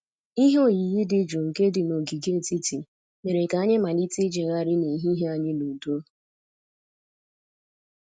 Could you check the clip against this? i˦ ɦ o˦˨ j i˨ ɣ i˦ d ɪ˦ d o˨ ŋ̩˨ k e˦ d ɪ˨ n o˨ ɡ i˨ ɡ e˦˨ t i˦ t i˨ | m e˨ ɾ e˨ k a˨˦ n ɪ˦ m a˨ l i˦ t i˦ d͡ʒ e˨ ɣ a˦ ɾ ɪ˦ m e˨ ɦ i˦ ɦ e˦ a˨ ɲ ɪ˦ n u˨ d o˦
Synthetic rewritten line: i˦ ɦ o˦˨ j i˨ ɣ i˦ d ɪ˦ d͡ʒ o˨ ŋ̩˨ k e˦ d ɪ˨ n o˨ ɡ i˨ ɡ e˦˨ t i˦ t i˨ | m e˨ ɾ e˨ k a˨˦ ɲ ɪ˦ m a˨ l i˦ t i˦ d͡ʒ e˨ ɣ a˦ ɾ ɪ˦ n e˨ ɦ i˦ ɦ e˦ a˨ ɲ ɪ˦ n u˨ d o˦